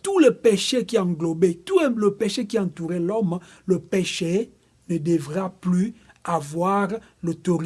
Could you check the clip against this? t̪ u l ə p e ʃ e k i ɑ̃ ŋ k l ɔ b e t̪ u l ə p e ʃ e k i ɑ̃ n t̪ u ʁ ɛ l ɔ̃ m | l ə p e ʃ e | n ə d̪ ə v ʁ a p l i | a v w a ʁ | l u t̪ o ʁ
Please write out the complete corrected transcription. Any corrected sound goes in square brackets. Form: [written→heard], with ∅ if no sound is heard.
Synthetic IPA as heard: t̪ u l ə p e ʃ e k i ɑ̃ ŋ [k→ɡ] l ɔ b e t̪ u l ə p e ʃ e k i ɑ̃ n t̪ u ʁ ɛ l [ɔ̃→ɔ] m | l ə p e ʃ e | n ə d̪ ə v ʁ a p l [i→y] | a v w a ʁ | l [u→o] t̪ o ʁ